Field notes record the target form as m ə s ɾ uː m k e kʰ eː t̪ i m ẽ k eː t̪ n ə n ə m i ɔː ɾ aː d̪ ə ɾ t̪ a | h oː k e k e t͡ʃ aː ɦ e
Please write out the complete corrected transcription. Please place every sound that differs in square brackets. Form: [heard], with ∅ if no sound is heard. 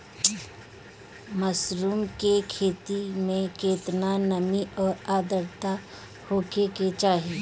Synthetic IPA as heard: m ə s ɾ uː m k e kʰ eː t̪ i m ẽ k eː t̪ n [a] n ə m i ɔː ɾ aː d̪ ə ɾ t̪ a | h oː k e k e t͡ʃ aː ɦ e